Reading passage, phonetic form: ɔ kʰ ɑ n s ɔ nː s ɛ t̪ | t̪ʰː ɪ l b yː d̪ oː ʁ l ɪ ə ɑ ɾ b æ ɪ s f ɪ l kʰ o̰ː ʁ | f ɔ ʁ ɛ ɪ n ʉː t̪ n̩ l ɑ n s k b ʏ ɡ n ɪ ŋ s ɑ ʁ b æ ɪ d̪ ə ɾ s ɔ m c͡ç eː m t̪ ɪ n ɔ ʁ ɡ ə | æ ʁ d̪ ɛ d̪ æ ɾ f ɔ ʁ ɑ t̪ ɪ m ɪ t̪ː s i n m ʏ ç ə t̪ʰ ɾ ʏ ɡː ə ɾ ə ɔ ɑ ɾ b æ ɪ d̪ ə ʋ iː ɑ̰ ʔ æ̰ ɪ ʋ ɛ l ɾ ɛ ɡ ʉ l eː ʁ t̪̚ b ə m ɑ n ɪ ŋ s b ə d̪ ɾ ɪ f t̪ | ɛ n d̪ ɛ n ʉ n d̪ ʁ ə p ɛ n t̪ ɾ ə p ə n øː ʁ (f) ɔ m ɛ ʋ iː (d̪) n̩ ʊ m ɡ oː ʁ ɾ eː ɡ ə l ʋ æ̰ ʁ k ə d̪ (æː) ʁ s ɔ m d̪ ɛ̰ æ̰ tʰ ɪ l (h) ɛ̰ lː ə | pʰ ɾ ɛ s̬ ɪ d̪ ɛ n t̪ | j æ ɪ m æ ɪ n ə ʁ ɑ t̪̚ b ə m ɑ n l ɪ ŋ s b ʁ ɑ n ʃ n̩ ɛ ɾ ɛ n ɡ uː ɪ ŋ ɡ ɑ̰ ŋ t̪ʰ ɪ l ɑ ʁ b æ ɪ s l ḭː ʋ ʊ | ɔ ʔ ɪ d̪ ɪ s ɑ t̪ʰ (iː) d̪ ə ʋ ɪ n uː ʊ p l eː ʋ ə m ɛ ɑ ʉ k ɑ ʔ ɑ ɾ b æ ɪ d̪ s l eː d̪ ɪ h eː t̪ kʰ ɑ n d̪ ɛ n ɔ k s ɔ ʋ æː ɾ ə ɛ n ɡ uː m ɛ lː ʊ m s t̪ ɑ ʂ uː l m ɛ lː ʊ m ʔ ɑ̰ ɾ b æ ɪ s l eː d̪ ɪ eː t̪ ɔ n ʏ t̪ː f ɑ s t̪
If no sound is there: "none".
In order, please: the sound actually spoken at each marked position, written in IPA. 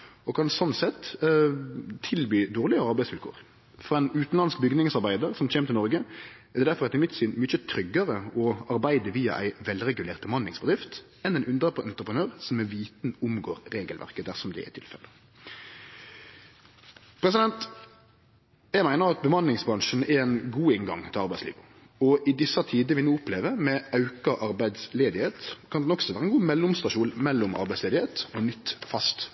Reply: s, t̪, æ, f, iː

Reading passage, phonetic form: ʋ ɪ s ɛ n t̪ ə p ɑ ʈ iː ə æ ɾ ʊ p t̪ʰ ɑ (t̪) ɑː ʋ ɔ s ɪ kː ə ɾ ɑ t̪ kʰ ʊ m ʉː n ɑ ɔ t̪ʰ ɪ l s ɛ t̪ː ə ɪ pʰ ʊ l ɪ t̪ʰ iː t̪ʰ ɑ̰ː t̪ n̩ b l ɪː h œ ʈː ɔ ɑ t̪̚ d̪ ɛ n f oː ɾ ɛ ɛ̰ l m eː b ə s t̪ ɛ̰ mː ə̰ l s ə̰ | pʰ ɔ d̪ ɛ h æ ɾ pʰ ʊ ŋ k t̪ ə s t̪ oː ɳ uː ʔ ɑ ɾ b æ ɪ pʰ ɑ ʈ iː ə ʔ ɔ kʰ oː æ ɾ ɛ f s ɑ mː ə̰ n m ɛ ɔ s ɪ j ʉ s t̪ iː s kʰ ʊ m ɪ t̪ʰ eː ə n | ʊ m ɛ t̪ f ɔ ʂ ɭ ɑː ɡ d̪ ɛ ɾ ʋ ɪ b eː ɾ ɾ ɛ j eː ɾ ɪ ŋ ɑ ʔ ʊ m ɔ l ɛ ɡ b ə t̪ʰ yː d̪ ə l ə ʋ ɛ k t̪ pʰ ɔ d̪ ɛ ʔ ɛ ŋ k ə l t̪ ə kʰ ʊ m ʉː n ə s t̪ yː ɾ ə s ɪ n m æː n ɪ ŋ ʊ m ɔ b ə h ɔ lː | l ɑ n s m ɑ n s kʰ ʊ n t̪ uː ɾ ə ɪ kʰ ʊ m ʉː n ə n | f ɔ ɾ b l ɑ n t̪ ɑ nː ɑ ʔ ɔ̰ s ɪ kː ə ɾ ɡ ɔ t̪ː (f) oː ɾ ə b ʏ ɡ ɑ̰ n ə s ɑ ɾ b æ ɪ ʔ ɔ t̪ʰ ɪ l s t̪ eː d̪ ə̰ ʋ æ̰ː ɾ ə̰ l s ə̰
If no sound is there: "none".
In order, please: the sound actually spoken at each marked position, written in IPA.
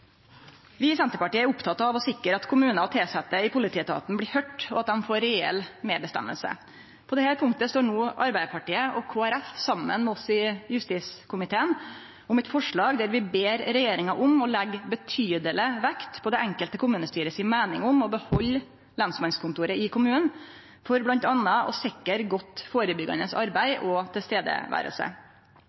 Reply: t̪, f

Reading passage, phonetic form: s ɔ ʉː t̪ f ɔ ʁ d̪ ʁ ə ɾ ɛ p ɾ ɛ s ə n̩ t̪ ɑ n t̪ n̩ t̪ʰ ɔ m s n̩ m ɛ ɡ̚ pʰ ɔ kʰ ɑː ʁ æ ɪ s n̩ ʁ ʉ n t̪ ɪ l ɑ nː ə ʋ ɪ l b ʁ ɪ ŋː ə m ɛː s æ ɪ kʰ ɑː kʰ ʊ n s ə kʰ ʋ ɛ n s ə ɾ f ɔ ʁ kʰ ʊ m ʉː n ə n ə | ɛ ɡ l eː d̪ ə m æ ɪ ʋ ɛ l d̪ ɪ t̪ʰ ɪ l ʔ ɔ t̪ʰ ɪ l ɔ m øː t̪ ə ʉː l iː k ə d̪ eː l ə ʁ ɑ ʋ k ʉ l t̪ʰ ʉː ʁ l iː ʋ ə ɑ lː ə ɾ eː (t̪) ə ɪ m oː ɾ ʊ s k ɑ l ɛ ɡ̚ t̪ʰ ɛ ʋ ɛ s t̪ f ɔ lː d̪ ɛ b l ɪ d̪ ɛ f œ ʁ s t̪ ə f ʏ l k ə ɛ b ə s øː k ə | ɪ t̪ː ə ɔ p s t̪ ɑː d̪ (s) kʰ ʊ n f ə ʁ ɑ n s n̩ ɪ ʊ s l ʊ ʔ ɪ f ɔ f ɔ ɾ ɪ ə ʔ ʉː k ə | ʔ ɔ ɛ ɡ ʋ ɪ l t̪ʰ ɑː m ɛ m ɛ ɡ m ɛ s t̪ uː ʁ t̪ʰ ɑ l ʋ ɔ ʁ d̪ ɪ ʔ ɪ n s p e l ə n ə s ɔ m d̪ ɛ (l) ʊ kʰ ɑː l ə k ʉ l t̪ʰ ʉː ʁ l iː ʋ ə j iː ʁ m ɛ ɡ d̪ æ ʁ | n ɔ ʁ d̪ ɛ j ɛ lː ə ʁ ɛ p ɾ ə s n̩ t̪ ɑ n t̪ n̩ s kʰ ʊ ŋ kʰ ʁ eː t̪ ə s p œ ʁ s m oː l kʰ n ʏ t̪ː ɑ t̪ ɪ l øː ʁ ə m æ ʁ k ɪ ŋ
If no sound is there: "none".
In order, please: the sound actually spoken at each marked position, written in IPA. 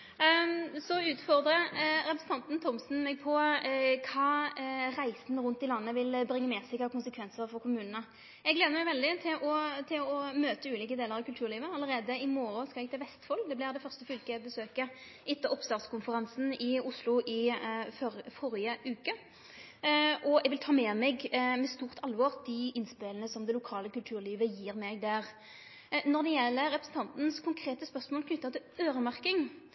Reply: d̪, s, l

